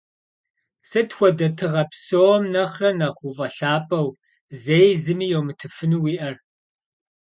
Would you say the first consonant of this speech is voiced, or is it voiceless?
voiceless